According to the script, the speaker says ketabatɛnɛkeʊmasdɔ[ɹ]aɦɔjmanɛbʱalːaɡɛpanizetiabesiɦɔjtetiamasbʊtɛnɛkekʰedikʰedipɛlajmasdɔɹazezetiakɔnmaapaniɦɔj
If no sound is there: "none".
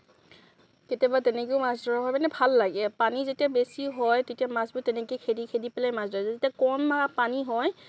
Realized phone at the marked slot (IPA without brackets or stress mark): ɹ